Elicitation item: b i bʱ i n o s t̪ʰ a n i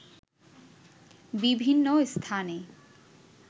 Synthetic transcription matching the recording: b i bʱ i nː o s t̪ʰ a n e